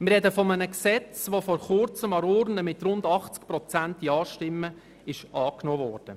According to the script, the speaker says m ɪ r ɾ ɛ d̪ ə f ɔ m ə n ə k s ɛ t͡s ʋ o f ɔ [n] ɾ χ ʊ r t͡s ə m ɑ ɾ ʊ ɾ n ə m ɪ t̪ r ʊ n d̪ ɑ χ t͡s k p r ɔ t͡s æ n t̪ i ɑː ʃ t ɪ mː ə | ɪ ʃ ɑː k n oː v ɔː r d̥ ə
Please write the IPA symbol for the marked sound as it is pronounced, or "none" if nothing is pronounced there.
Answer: none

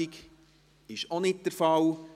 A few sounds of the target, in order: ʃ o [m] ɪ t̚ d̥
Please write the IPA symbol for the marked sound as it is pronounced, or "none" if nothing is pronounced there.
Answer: n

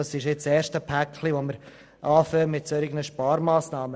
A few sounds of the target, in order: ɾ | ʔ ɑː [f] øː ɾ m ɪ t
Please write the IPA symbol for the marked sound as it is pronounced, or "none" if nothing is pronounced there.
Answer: f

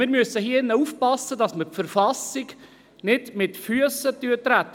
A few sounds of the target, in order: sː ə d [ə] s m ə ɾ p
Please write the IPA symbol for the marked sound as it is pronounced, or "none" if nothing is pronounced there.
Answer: ɑ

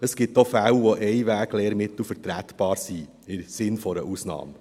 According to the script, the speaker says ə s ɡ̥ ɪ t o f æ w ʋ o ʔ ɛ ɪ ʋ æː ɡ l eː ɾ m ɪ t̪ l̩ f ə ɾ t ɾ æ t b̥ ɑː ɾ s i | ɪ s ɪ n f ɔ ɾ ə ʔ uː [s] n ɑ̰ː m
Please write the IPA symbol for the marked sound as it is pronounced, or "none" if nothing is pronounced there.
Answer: s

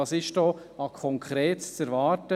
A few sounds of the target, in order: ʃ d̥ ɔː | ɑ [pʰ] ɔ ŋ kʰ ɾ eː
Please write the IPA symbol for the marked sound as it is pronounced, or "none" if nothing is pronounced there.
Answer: kʰ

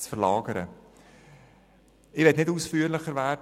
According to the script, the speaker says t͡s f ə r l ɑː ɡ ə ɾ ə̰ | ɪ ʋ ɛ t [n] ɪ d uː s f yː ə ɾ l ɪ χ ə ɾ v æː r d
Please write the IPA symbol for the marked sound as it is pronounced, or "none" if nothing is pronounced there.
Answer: n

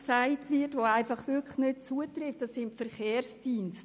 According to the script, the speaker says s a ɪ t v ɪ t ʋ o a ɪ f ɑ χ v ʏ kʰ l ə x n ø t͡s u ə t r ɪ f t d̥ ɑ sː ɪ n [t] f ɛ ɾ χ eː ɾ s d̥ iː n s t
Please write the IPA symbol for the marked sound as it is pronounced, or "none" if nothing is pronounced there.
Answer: t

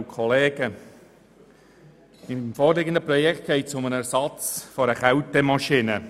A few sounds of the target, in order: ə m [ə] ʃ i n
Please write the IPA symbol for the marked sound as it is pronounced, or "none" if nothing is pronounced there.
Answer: ɑ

